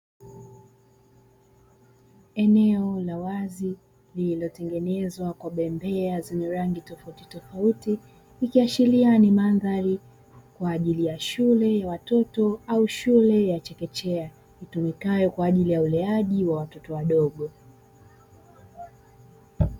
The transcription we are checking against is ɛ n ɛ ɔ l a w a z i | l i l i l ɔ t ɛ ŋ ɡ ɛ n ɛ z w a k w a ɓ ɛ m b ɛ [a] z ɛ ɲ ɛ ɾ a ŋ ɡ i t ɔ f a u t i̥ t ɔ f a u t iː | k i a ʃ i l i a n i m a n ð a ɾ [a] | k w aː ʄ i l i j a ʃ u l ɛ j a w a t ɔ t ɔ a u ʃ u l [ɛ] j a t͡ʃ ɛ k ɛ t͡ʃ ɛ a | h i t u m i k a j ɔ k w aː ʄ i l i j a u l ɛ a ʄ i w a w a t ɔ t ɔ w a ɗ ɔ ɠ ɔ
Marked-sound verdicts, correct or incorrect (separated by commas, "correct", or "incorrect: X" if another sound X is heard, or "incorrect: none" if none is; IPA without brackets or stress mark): correct, incorrect: i, correct